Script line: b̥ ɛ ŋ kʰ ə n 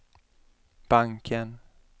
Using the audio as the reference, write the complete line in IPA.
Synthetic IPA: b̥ a ŋ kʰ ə n